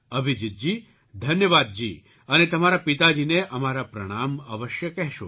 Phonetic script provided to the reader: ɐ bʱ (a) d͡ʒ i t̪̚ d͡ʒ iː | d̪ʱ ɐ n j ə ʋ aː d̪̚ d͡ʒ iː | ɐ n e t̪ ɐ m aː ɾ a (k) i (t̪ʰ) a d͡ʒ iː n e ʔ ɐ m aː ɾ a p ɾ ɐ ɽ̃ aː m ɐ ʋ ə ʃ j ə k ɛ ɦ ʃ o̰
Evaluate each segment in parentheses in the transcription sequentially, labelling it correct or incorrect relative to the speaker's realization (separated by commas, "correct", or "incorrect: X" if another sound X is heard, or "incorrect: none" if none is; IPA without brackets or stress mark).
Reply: incorrect: i, incorrect: p, incorrect: t̪